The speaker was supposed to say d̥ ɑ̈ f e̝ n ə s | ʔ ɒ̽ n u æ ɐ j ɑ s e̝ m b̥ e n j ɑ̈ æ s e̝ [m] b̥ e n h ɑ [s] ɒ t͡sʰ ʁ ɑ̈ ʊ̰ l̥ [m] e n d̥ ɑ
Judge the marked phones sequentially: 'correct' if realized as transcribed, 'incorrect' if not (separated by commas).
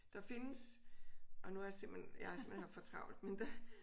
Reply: correct, incorrect, correct